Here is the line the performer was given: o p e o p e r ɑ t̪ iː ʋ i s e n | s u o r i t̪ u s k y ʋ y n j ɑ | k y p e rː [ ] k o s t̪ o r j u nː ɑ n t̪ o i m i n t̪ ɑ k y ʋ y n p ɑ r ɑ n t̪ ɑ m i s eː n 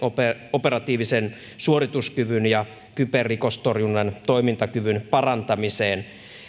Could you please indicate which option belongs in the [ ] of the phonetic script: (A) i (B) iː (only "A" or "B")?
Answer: A